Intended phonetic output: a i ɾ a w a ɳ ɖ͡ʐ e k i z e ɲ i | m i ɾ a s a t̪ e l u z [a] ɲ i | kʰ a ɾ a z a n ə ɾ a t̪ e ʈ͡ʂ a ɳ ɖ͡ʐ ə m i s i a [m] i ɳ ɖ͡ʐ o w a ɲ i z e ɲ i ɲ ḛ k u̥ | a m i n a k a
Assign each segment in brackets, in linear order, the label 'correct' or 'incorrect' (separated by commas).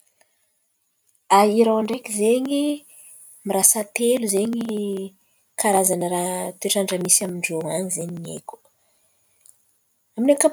incorrect, correct